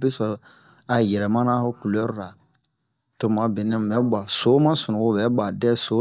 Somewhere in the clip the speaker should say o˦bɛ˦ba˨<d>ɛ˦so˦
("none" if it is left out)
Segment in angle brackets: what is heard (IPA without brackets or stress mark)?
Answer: d